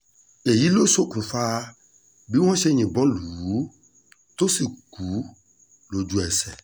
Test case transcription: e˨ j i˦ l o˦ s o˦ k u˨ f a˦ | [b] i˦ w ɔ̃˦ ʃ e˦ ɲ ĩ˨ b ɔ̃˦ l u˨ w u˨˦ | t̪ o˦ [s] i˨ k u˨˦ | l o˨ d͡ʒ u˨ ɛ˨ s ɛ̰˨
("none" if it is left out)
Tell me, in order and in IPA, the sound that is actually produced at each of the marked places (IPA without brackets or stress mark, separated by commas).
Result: b, s